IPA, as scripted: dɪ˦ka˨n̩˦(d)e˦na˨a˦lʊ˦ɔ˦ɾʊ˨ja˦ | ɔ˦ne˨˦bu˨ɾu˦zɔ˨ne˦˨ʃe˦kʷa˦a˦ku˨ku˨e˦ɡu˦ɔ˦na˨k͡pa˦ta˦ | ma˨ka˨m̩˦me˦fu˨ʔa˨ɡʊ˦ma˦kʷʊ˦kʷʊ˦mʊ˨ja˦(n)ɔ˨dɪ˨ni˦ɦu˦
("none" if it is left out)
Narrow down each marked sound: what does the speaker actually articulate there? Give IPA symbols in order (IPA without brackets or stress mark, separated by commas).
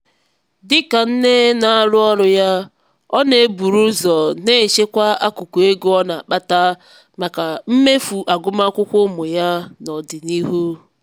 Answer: n, n